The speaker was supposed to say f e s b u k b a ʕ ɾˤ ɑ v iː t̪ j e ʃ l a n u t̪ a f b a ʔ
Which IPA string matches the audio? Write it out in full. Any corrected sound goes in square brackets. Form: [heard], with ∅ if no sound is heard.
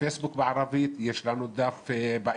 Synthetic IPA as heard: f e s b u k b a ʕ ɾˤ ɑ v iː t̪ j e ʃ l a n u [d̪] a f b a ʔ